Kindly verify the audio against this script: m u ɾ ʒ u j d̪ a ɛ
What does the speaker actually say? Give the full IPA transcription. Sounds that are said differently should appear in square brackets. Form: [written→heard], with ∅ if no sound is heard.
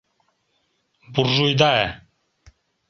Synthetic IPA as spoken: [m→b] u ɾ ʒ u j d̪ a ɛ